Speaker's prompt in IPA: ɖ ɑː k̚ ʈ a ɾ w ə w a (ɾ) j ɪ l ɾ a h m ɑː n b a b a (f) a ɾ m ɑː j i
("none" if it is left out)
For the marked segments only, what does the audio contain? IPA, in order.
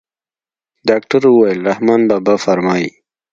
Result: none, f

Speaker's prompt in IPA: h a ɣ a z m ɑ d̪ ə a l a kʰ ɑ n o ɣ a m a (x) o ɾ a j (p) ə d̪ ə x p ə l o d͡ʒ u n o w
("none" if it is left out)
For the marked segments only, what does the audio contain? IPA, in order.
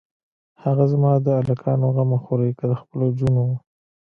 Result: x, k

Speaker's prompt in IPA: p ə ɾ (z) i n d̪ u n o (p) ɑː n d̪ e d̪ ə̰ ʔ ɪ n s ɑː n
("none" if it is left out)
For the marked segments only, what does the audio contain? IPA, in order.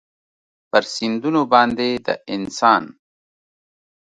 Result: s, b

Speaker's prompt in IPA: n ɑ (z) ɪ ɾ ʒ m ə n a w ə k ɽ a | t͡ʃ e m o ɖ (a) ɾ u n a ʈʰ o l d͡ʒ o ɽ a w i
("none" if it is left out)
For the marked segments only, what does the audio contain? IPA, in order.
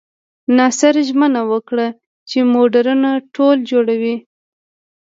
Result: s, a

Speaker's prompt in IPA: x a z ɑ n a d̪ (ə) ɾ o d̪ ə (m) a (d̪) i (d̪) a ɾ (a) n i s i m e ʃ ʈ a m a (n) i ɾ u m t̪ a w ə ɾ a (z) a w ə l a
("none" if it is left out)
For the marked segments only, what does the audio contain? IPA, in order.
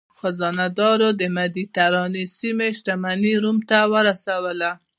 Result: ɑ, m, d̪, t̪, ɑ, n, s

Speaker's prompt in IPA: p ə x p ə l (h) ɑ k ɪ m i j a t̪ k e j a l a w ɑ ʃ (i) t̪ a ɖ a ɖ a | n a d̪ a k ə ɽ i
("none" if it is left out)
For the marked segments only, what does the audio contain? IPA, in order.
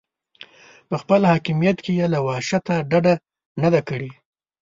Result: h, a

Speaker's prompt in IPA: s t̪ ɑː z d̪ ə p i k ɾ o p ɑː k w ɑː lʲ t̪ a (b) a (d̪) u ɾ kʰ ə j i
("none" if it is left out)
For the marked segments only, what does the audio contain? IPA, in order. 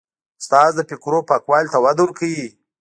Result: w, d̪

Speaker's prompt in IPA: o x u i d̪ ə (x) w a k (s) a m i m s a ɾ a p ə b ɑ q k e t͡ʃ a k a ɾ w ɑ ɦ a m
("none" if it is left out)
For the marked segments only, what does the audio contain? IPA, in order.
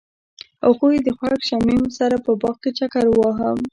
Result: x, ʃ

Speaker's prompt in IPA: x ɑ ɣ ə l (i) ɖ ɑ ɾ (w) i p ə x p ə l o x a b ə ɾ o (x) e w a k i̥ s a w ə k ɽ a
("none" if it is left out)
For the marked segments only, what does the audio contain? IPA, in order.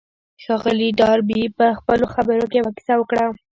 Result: i, b, k

